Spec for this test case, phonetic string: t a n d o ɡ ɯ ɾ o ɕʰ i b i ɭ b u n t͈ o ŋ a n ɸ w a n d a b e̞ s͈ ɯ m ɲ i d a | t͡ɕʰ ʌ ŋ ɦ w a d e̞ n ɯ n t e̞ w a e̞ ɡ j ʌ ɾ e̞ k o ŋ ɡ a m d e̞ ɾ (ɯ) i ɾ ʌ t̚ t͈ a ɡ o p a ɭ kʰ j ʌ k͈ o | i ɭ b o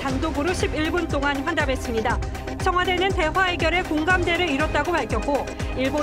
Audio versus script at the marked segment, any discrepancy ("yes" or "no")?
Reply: no